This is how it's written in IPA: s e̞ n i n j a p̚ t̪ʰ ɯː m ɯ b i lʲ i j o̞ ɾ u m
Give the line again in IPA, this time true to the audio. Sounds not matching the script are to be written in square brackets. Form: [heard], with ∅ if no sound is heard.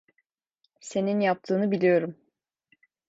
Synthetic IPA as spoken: s e̞ n i n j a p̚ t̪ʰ ɯː [n] ɯ b i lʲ i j o̞ ɾ u m